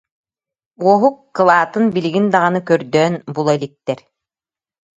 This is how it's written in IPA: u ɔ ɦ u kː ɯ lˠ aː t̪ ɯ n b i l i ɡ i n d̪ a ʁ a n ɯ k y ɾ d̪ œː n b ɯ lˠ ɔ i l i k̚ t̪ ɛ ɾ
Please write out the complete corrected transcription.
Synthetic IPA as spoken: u ɔ ɦ u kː ɯ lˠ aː t̪ ɯ n b i l i ɡ i n d̪ a ʁ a n ɯ k œ ɾ d̪ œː n b u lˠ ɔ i l i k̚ t̪ ɛ ɾ